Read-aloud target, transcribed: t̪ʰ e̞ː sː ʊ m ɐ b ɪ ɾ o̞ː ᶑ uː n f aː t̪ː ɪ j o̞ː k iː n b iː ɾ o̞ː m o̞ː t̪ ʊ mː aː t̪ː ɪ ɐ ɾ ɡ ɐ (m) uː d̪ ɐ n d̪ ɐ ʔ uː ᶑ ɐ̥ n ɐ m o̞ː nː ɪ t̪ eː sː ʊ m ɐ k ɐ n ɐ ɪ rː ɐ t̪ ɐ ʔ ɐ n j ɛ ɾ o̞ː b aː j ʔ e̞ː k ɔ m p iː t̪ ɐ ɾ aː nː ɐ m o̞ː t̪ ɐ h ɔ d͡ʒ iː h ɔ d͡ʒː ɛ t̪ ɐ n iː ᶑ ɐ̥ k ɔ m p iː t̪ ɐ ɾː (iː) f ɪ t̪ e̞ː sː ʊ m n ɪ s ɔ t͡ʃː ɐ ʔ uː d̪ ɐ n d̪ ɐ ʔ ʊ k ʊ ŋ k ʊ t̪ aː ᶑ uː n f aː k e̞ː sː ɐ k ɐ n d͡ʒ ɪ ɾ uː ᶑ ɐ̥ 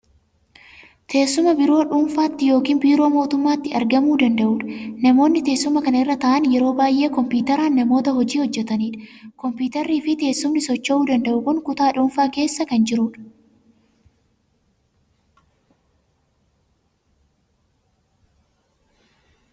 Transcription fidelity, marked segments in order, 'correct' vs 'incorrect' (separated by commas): correct, correct